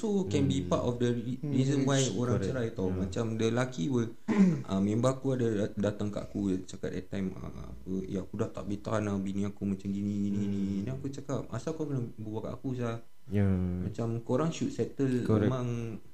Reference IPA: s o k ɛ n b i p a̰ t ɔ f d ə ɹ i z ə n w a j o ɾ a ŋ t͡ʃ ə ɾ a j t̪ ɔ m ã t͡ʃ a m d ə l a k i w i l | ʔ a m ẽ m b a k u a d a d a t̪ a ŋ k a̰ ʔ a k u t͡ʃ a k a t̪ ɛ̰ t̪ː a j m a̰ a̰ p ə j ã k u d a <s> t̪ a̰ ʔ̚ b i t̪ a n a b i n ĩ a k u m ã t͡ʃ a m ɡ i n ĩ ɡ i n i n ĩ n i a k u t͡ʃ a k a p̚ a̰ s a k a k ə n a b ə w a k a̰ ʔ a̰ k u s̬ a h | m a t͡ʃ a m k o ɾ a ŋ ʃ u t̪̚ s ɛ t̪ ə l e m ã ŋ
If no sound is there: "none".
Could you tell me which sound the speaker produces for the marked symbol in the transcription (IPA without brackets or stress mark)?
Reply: h